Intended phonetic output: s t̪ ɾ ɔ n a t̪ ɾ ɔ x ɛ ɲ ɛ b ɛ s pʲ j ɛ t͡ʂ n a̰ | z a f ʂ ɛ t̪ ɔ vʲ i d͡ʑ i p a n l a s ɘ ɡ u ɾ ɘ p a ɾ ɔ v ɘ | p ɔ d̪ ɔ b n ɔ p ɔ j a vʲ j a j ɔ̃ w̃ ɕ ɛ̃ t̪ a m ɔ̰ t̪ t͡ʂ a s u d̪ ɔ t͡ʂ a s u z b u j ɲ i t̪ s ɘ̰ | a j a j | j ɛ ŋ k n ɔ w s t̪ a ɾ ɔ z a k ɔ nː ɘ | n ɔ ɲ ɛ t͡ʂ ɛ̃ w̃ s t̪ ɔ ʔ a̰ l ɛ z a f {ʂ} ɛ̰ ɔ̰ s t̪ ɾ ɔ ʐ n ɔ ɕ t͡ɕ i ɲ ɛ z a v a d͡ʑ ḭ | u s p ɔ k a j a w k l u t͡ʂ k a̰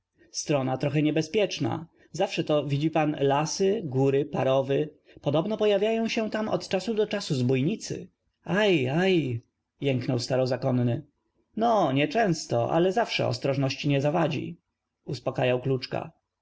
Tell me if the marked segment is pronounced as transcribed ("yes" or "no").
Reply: yes